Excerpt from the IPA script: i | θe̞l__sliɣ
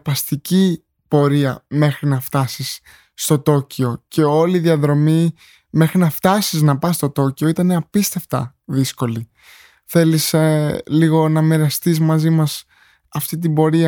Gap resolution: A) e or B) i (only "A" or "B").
B